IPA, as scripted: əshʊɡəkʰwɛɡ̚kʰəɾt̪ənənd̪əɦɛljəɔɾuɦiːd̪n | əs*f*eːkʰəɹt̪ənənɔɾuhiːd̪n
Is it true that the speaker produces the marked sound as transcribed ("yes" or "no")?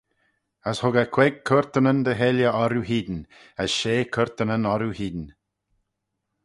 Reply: no